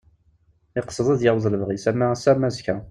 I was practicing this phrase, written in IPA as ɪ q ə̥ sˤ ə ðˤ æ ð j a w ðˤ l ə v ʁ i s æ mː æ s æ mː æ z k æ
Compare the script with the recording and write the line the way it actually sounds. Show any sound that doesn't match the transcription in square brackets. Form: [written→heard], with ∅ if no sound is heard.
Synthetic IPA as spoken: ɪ q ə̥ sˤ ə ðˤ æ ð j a w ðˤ l ə v ʁ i s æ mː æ s æ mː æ z k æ